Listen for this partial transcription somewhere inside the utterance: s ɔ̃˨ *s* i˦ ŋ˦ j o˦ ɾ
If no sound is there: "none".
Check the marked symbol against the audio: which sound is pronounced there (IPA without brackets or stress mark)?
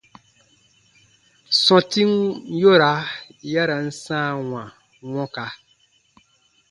t